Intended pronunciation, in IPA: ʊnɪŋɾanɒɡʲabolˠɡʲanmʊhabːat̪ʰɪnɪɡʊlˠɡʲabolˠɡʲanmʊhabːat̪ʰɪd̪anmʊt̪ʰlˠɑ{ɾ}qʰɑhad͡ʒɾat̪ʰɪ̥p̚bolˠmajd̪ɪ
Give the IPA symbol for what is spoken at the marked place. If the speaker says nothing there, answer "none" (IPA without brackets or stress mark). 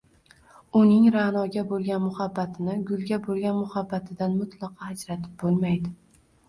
none